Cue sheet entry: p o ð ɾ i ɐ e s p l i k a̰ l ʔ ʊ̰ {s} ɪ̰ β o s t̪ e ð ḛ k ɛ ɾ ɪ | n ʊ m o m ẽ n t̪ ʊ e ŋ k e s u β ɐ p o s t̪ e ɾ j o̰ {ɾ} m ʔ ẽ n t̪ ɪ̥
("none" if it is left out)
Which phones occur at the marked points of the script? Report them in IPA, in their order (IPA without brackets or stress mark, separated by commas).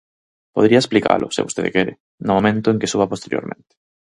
s, ɾ